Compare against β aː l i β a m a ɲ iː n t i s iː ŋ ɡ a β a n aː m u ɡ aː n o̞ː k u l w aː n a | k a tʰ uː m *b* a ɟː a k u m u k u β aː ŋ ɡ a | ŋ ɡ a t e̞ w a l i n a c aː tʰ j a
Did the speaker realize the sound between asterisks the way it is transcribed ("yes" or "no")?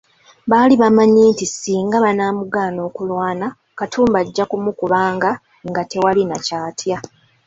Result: yes